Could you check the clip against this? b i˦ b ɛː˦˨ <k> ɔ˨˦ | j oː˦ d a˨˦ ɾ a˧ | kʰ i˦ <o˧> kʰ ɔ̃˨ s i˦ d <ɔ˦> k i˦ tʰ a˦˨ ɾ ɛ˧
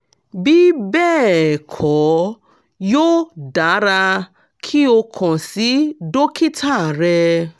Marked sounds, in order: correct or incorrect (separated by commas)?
incorrect, correct, incorrect